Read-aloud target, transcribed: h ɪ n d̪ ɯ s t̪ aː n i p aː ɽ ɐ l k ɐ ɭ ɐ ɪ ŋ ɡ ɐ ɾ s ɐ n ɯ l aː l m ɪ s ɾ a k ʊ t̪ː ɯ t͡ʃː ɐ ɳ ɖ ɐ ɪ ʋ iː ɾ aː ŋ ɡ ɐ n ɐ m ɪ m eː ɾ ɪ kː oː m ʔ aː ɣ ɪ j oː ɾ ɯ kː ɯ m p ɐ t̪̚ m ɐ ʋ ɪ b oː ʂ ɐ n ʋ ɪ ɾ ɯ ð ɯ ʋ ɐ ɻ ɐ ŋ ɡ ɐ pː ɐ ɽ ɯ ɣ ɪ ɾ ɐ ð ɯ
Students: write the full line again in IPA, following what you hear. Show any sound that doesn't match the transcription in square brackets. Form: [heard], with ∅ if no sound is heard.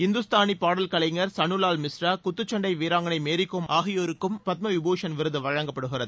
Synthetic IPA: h ɪ n d̪ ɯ s t̪ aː n i p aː ɽ ɐ l k ɐ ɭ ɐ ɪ ŋ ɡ ɐ ɾ s ɐ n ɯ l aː l m ɪ s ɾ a k ʊ t̪ː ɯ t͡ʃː ɐ ɳ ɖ ɐ ɪ ʋ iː ɾ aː ŋ ɡ ɐ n ɐ [∅] ɪ m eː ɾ ɪ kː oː m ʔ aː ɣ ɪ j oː ɾ ɯ kː ɯ m p ɐ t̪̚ m ɐ ʋ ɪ b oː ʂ ɐ n ʋ ɪ ɾ ɯ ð ɯ ʋ ɐ ɻ ɐ ŋ ɡ ɐ pː ɐ ɽ ɯ ɣ ɪ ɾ ɐ ð ɯ